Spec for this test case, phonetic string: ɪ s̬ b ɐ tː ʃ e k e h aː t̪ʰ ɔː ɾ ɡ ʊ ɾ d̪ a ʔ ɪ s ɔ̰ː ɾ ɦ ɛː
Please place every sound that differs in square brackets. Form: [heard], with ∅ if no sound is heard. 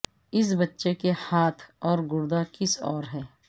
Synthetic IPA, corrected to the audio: ɪ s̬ b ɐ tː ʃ e k e h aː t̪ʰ ɔː ɾ ɡ ʊ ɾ d̪ a [k] ɪ s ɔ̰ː ɾ ɦ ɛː